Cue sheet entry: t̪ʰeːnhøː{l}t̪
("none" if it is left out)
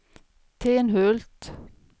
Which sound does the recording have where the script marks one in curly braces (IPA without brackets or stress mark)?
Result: l